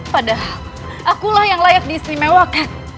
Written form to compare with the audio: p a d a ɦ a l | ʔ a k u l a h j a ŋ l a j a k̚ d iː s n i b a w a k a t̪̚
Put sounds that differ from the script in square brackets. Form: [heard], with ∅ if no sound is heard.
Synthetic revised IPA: p a d a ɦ a l | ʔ a k u l a h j a ŋ l a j a k̚ d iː s n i [m] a w a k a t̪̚